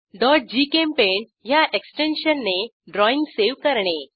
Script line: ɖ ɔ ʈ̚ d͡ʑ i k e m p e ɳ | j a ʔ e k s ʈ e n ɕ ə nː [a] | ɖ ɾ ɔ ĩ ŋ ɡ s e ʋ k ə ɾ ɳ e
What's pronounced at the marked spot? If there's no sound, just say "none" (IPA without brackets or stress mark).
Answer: e